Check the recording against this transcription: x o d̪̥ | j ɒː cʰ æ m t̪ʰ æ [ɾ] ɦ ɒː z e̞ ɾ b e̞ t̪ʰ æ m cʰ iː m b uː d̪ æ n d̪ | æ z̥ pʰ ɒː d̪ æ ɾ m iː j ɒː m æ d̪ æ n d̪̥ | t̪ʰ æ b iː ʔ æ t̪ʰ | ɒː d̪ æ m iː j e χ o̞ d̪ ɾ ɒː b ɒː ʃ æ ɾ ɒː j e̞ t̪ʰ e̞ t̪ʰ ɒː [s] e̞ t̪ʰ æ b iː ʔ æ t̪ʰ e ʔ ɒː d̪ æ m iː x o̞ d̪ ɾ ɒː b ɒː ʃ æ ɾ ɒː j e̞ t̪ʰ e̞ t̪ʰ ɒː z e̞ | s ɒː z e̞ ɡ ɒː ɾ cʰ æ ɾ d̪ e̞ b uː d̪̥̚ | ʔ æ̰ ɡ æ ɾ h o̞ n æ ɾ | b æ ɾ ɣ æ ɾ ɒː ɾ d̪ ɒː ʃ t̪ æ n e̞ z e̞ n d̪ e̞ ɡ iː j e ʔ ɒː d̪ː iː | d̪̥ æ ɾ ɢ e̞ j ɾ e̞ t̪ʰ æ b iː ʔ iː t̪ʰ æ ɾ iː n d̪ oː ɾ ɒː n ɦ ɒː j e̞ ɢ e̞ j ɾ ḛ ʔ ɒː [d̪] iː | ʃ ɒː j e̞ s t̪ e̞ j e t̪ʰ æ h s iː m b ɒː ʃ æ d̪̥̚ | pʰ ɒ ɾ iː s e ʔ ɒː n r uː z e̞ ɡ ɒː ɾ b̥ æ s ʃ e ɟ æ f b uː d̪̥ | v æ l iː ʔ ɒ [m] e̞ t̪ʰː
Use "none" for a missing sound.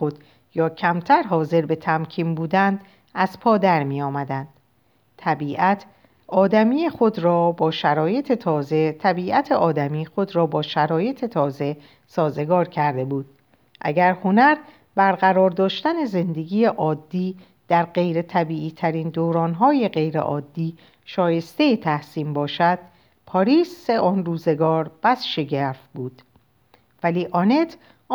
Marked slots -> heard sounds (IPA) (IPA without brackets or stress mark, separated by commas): ɾ, z, d̪ː, n